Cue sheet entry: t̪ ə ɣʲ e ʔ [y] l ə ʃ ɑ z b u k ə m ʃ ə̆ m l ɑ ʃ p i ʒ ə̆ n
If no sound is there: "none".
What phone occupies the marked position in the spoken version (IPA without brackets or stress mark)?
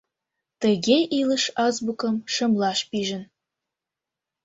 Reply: i